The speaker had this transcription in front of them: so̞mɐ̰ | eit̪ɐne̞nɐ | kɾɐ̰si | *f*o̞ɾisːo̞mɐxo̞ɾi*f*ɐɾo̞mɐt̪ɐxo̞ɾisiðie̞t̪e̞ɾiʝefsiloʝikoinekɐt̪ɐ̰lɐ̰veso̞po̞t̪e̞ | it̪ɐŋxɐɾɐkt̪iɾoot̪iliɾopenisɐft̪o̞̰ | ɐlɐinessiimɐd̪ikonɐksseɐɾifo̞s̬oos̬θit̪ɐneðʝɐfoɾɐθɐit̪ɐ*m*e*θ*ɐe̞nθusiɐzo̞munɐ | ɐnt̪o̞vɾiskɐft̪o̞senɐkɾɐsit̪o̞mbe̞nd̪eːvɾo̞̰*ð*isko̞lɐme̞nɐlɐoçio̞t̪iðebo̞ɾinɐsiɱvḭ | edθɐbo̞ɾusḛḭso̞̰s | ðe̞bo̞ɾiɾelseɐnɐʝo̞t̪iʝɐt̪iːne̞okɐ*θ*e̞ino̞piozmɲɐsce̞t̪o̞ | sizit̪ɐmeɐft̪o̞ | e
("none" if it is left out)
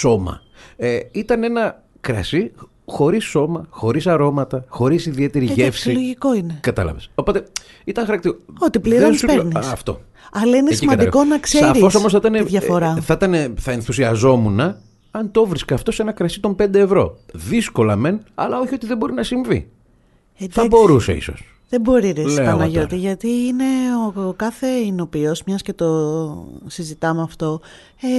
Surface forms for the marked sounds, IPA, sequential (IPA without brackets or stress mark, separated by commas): x, s, n, θ, ð, θ